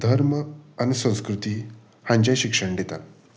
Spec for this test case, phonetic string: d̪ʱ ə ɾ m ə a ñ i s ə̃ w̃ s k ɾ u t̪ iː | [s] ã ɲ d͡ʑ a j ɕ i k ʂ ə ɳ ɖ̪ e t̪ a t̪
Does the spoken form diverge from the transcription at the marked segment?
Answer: yes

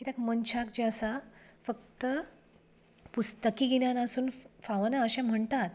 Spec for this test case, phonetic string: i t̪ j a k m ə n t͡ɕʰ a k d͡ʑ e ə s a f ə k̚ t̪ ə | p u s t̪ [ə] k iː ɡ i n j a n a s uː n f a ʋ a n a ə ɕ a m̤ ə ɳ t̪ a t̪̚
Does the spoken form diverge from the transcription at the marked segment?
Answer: no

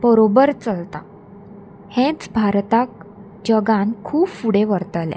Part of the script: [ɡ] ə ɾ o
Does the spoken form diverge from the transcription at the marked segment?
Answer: yes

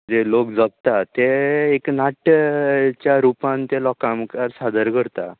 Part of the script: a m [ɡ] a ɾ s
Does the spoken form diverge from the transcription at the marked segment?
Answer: yes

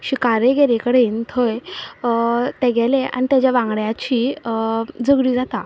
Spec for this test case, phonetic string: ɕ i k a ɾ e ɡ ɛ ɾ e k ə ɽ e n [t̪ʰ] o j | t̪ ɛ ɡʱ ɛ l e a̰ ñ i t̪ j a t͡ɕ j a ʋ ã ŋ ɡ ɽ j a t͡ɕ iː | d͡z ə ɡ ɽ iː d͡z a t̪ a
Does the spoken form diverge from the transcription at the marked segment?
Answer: no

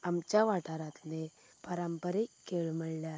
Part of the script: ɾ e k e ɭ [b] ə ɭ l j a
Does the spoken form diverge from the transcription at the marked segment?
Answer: yes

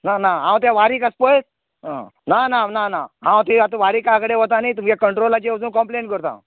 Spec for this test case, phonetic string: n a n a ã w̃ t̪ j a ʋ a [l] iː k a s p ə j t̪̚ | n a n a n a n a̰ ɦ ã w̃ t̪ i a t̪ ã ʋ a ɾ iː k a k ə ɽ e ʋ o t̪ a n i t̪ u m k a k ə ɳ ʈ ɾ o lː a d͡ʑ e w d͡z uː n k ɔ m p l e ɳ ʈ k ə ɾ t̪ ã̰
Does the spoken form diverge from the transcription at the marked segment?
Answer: yes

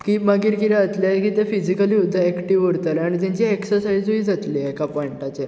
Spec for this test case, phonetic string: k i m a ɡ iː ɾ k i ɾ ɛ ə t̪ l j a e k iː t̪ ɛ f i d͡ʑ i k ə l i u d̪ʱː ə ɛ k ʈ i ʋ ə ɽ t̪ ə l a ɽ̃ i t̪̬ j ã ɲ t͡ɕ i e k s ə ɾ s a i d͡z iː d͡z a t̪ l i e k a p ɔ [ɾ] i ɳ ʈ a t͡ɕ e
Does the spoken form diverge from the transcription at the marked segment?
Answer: yes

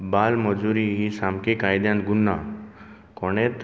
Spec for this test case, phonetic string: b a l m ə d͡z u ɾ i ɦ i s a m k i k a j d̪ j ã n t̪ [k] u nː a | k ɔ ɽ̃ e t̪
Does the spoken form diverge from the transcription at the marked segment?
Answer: yes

